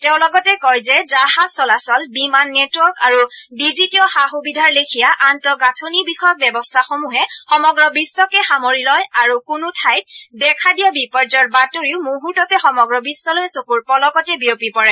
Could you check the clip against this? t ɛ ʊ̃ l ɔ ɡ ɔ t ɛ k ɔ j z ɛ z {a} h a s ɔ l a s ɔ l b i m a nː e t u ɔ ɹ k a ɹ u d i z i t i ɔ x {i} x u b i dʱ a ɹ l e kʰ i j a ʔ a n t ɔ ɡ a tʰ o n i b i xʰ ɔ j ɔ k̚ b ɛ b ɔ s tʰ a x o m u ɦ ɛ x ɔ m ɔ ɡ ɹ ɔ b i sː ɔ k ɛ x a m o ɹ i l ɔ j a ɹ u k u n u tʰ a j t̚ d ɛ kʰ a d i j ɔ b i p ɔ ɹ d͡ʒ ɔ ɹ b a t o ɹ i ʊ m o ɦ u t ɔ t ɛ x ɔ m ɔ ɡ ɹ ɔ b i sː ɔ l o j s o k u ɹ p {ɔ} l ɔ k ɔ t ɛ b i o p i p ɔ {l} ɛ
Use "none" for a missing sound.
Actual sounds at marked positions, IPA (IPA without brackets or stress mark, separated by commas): a, a, ɔ, ɹ